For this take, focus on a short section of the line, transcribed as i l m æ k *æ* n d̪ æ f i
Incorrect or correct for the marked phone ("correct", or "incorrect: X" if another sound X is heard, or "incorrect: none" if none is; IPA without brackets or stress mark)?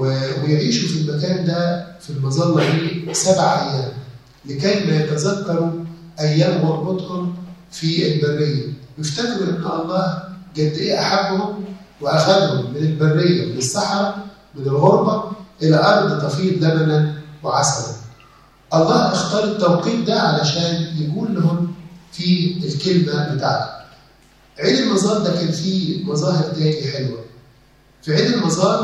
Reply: incorrect: æː